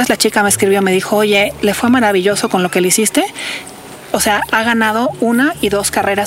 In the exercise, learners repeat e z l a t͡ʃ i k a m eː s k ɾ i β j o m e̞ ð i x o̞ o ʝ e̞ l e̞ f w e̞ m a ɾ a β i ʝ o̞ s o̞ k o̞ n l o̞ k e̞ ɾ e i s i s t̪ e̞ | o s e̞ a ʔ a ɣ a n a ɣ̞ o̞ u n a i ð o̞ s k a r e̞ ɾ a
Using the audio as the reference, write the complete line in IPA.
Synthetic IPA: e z l a t͡ʃ i k a m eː s k ɾ i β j o m e̞ ð i x o̞ o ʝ e̞ l e̞ f w e̞ m a ɾ a β i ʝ o̞ s o̞ k o̞ n l o̞ k e̞ l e i s i s t̪ e̞ | o s e̞ a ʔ a ɣ a n a ð̞ o̞ u n a i ð o̞ s k a r e̞ ɾ a